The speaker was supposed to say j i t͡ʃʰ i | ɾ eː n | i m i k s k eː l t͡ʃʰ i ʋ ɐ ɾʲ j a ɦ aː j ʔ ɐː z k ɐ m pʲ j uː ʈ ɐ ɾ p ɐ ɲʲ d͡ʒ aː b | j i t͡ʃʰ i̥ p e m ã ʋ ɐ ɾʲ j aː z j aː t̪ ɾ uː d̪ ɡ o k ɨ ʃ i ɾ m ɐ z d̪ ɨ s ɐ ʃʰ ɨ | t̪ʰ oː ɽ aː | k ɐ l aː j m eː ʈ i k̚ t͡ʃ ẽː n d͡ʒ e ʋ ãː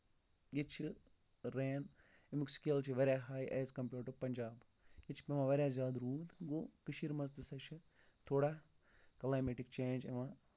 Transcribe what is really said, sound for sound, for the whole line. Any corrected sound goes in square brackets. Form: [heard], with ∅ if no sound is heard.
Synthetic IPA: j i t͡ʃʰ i | ɾ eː n | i m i k s k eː l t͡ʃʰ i ʋ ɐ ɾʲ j a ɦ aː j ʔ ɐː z k ɐ m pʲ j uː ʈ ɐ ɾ p ɐ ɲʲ d͡ʒ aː b | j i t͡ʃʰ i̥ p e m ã ʋ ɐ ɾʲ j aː z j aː [d̪] ɾ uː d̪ ɡ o k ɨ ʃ i ɾ m ɐ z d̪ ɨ s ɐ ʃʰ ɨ | t̪ʰ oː ɽ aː | k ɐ l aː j m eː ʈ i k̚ t͡ʃ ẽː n d͡ʒ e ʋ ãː